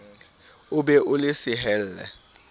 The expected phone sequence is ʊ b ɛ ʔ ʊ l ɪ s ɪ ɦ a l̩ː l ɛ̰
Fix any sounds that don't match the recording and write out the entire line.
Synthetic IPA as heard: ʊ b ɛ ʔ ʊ l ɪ s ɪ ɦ ɛ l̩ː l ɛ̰